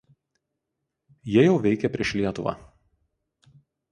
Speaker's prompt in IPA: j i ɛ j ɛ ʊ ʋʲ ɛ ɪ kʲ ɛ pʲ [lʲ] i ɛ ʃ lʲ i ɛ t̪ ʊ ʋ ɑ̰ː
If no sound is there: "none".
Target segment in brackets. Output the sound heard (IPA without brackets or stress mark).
ɾʲ